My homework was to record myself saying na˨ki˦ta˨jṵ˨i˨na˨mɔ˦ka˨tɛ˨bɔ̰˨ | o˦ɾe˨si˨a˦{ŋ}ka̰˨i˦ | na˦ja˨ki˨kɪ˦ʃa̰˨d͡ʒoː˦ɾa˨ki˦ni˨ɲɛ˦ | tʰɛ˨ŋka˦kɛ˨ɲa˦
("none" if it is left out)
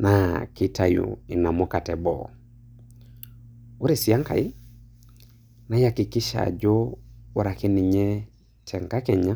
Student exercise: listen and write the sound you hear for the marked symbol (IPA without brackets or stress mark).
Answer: ŋ